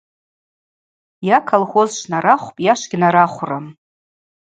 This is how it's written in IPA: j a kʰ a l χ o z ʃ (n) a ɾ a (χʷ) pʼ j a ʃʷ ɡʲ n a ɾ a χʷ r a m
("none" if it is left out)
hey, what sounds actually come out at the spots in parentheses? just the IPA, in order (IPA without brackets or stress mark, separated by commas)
n, χʷ